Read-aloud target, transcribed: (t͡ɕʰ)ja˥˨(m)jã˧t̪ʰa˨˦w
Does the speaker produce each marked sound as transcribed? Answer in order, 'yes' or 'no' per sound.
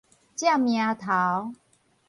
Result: no, yes

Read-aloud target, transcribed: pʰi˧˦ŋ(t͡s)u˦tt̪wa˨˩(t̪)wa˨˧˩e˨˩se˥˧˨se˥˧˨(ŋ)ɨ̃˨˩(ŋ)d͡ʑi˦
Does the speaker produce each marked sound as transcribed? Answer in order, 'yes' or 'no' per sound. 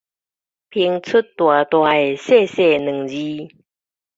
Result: no, yes, no, yes

